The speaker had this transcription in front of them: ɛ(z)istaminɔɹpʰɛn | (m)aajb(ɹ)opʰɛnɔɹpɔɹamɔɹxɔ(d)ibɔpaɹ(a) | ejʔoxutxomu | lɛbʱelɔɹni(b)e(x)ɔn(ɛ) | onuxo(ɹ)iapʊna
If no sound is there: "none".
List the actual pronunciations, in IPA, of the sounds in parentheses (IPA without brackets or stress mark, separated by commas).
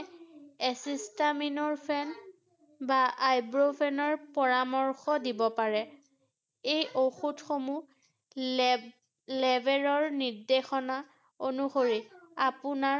s, b, ɹ, d, ɛ, d, x, a, ɹ